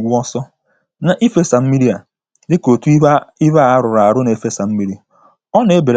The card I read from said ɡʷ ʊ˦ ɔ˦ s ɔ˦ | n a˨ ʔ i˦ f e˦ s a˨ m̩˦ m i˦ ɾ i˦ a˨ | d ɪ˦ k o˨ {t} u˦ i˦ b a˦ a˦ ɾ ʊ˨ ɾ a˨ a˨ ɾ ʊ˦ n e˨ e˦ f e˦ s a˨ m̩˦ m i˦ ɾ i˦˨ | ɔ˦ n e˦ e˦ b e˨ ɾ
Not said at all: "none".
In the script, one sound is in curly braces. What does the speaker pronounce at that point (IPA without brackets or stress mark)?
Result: t